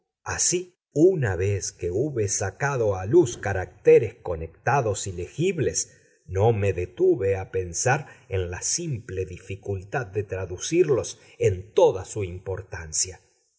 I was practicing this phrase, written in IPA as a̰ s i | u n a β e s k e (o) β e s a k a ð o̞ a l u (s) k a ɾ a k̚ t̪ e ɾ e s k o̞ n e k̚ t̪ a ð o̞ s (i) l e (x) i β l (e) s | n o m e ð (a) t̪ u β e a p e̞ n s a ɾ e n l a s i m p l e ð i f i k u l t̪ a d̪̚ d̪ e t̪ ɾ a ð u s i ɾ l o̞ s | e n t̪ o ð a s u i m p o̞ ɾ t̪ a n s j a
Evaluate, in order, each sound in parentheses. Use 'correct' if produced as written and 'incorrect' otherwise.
incorrect: u, correct, correct, correct, correct, incorrect: e

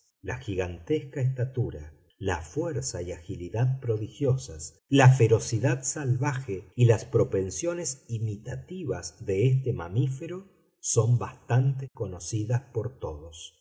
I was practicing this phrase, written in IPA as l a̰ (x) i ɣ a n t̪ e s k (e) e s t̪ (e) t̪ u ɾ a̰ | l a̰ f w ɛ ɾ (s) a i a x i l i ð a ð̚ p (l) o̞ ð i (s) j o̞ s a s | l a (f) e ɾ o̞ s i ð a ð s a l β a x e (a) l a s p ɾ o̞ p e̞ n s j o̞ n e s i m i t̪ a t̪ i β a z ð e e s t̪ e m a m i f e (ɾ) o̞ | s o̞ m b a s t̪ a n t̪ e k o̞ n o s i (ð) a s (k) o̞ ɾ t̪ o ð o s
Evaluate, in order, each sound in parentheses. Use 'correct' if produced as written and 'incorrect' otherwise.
correct, incorrect: a, incorrect: a, correct, incorrect: ɾ, incorrect: x, correct, incorrect: i, correct, correct, incorrect: p

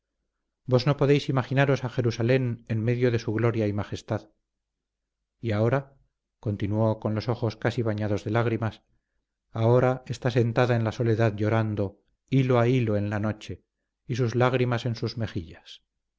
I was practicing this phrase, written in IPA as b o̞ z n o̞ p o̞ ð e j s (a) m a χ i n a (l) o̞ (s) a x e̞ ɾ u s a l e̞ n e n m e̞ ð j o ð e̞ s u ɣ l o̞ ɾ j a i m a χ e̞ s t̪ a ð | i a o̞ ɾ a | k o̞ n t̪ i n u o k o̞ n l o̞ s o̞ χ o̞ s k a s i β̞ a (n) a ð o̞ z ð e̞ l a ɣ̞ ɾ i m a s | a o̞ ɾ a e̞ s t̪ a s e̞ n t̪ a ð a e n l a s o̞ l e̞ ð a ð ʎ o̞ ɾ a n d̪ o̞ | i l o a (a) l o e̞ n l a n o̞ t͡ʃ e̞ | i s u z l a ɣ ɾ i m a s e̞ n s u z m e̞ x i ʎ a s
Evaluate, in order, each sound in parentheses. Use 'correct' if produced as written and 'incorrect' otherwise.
incorrect: i, incorrect: ɾ, correct, incorrect: ɲ, incorrect: i

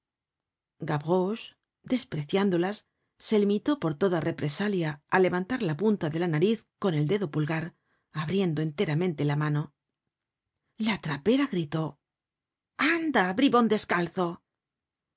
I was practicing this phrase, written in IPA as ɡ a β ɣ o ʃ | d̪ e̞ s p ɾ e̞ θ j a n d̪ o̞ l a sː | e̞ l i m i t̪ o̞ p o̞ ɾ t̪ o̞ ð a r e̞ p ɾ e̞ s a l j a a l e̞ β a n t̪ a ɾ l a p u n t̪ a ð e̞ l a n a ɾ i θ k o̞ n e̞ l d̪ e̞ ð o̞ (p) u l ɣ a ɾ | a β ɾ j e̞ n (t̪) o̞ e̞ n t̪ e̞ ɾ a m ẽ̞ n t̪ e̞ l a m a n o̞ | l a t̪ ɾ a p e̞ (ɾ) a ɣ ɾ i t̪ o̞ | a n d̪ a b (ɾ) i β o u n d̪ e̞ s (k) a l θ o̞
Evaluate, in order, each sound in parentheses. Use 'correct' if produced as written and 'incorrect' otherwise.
correct, incorrect: d̪, correct, correct, correct

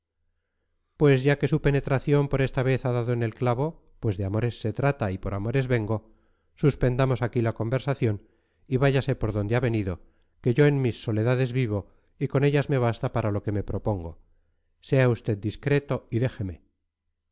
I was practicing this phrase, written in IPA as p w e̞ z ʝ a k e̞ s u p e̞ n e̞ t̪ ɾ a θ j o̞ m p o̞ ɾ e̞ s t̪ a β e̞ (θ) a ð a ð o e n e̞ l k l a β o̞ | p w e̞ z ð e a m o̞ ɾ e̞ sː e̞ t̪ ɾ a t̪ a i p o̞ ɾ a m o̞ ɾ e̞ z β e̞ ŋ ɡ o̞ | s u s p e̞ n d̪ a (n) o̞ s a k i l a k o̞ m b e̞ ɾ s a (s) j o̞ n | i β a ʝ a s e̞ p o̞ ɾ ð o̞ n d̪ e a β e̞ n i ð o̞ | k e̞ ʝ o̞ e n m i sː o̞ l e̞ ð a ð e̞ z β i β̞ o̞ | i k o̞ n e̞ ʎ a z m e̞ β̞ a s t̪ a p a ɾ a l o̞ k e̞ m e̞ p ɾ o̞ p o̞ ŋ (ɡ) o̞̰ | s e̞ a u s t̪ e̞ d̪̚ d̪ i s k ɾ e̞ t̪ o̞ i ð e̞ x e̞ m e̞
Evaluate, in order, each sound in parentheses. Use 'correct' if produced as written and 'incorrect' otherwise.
correct, incorrect: m, incorrect: θ, correct

